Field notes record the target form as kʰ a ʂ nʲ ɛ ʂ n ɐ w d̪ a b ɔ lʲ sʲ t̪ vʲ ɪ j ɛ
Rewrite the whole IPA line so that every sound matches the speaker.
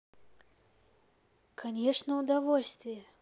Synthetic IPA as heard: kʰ a nʲ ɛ ʂ n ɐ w d̪ a v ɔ lʲ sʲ t̪ vʲ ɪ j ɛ